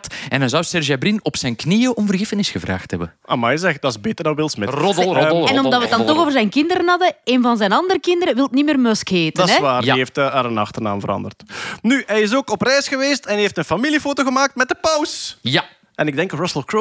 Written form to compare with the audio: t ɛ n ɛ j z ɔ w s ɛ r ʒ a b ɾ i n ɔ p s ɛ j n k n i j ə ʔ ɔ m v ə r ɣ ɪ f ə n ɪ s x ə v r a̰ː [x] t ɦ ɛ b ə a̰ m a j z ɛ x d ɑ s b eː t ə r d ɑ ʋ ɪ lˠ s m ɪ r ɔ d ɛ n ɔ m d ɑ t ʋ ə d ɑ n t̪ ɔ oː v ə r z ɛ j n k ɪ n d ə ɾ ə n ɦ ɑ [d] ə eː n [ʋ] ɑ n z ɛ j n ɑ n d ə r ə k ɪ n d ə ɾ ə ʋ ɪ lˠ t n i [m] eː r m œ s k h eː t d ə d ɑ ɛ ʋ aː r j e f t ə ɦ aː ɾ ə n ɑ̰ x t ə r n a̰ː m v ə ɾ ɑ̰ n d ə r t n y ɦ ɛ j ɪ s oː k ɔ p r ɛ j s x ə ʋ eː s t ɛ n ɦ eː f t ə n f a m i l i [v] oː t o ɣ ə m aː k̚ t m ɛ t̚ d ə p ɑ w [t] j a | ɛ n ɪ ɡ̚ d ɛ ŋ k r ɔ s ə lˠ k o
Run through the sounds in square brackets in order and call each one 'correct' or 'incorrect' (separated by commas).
correct, correct, incorrect, correct, incorrect, incorrect